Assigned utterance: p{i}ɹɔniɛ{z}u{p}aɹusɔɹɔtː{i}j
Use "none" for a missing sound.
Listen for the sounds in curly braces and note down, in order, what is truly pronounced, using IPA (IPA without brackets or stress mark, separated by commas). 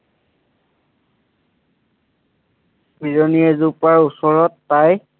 i, z, p, a